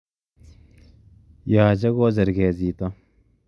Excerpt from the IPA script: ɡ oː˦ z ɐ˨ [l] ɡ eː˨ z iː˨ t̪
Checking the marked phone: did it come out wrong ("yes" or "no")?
yes